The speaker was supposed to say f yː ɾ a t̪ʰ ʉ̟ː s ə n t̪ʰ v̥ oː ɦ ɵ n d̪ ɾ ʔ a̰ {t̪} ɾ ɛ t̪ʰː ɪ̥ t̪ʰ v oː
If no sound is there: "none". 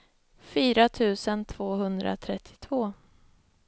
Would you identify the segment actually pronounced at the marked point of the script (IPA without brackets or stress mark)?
t̪ʰ